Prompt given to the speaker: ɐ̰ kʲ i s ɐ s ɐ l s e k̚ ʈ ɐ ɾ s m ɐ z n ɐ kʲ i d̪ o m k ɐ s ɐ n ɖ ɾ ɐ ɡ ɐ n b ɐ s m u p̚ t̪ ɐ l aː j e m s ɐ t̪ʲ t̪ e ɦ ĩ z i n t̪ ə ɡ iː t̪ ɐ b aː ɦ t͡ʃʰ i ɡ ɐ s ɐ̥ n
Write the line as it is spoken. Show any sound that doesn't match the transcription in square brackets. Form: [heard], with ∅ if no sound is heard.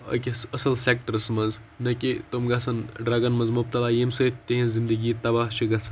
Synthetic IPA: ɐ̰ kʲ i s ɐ s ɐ l s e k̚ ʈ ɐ ɾ s m ɐ z n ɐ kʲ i [t̪] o m [ɡ] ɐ s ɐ n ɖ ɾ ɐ ɡ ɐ n [m] ɐ [z] m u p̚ t̪ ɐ l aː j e m s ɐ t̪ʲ t̪ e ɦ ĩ z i n [d̪] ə ɡ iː t̪ ɐ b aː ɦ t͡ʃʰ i ɡ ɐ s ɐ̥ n